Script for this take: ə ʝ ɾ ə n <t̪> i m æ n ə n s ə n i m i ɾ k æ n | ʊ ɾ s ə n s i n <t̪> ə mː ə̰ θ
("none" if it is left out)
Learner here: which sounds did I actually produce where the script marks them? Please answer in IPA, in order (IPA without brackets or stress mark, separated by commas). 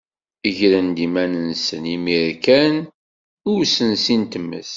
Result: d̪, t̪